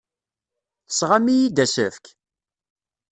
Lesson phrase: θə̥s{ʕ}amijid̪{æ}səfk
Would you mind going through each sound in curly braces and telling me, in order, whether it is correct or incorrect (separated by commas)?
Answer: incorrect, correct